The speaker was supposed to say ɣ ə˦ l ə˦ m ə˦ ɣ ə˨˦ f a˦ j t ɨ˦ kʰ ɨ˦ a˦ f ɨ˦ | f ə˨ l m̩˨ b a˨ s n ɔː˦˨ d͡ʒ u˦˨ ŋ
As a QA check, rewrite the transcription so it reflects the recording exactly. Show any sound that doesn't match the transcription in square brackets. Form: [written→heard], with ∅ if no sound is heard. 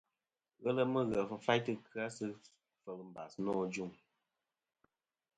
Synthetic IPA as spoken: ɣ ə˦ l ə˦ m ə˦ ɣ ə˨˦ f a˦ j t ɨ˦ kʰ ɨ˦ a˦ [f→s] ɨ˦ | f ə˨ l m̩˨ b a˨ s n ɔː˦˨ d͡ʒ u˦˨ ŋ